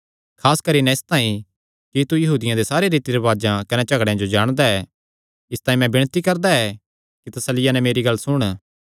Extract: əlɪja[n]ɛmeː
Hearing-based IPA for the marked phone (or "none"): n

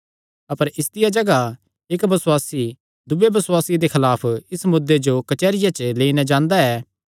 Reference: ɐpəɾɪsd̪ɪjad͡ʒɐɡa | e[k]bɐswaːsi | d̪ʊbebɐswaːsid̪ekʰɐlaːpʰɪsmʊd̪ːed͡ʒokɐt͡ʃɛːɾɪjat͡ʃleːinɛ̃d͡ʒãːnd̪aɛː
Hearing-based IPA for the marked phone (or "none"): k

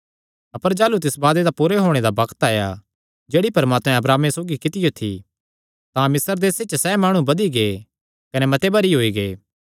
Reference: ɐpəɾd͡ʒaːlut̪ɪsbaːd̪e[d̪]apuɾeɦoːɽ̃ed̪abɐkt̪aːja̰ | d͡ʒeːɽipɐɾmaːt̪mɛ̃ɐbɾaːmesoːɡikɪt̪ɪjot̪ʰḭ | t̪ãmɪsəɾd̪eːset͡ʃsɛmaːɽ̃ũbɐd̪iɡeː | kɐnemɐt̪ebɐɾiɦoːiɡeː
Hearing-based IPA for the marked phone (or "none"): d̪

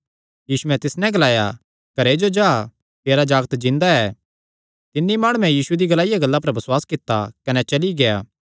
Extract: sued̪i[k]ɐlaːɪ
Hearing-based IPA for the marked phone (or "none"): ɡ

